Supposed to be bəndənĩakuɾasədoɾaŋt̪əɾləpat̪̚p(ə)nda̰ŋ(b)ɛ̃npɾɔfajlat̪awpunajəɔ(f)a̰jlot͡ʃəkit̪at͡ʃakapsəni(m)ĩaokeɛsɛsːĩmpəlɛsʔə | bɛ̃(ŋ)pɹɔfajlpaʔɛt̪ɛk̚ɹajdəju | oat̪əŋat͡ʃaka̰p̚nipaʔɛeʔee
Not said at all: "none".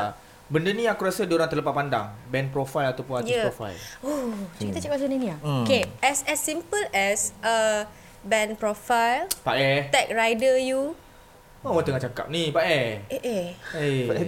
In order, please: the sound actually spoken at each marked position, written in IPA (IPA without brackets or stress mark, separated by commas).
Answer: a, b, f, n, n